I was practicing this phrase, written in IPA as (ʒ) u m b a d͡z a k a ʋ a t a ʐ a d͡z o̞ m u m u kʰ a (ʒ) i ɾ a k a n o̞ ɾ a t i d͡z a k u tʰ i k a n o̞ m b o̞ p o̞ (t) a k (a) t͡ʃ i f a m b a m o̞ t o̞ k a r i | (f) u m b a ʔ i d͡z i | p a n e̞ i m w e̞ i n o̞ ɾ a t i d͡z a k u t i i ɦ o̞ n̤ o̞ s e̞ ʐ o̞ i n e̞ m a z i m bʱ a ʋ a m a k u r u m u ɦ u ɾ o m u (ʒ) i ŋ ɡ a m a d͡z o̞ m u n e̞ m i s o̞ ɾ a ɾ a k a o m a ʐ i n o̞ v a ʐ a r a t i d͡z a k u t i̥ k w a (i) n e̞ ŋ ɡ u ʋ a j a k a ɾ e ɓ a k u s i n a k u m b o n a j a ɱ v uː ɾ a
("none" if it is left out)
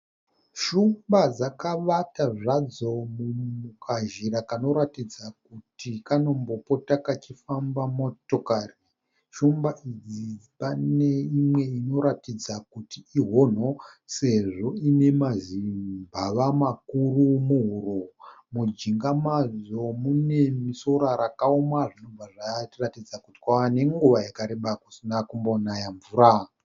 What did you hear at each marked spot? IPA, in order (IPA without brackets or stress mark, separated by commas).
ʃ, ʒ, t, a, ʃ, d͡ʒ, a